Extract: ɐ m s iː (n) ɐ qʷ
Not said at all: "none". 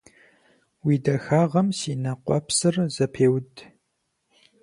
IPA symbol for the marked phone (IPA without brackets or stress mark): n